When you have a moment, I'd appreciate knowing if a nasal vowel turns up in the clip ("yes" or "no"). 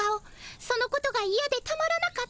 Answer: no